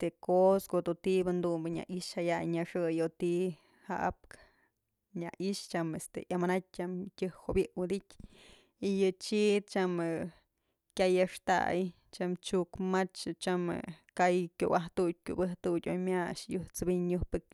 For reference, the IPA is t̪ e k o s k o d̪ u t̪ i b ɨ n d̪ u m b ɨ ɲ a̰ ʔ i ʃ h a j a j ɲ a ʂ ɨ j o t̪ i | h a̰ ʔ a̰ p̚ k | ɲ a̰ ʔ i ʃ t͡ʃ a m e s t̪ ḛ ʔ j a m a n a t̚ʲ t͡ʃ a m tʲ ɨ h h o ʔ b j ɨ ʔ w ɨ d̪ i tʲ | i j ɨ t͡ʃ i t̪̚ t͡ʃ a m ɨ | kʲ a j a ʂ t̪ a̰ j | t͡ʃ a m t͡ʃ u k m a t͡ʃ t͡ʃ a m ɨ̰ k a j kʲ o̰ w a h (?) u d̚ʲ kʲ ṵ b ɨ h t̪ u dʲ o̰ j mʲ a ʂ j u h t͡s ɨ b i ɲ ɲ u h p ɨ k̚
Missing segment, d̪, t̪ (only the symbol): t̪